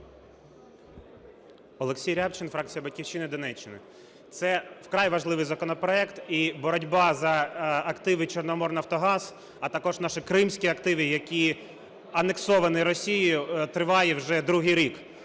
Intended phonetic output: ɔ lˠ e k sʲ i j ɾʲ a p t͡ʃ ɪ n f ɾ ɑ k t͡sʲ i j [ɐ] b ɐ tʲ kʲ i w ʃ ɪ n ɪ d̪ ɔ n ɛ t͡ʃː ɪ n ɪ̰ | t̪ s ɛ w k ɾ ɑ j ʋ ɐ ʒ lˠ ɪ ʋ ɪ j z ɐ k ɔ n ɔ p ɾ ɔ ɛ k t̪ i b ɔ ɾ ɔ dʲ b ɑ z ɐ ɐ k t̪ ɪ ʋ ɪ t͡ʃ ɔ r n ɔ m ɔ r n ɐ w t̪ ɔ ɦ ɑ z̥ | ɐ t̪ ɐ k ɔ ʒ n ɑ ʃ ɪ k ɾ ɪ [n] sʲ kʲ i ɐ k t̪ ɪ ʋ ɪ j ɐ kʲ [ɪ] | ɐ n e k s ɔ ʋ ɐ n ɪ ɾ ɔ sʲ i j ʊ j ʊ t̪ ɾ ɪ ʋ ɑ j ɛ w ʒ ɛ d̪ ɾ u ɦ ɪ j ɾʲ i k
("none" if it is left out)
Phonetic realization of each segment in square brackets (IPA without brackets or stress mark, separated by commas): ɐ, m, i